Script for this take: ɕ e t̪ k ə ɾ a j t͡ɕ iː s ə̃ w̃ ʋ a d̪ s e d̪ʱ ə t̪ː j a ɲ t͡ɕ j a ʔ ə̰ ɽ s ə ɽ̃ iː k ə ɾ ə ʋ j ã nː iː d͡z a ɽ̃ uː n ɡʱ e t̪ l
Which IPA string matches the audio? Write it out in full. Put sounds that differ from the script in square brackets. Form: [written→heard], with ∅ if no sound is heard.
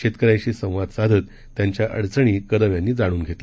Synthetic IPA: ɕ e t̪ k ə ɾ a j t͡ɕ iː s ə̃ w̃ ʋ a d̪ s [e→a] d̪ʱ ə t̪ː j a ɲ t͡ɕ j a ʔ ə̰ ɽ [s→t͡s] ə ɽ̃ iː k ə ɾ ə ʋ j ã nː iː d͡z a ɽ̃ uː n ɡʱ e t̪ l